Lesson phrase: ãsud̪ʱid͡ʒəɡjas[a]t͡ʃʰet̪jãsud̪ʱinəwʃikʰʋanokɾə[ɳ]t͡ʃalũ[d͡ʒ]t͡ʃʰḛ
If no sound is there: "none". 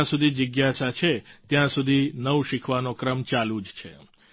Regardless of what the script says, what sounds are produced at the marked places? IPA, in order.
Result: a, m, d͡ʒ

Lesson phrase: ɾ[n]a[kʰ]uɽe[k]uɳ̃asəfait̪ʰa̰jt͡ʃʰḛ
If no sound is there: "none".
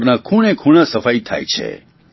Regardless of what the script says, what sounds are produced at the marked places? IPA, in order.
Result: n, kʰ, kʰ

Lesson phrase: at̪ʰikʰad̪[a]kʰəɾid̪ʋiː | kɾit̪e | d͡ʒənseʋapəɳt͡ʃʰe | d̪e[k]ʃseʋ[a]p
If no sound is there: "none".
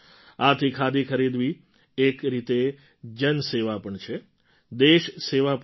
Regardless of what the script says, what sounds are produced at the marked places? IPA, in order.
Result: i, none, a

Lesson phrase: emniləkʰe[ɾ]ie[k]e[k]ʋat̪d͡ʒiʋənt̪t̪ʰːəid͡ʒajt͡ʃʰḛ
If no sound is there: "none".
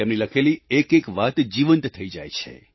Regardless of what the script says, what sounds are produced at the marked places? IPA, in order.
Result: l, k, k

